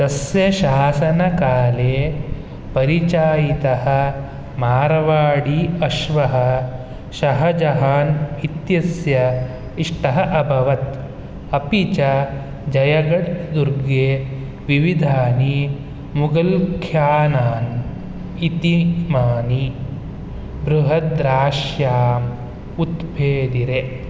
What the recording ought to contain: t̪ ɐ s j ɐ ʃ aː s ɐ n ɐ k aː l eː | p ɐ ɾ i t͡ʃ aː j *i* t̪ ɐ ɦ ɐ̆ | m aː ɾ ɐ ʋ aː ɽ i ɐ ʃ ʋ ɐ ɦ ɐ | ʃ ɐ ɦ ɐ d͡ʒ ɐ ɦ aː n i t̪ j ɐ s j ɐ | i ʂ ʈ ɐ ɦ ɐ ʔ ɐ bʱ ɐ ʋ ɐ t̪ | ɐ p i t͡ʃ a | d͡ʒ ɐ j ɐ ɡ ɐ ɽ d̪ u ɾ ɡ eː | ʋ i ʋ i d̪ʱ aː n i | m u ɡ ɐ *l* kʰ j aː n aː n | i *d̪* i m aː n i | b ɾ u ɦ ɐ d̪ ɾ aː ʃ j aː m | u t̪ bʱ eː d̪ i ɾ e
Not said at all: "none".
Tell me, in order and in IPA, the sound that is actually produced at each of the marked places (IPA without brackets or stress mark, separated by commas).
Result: i, l, t̪